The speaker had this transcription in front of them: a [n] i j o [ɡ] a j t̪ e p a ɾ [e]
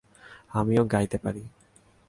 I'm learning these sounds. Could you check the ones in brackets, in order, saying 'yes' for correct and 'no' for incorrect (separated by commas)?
no, yes, no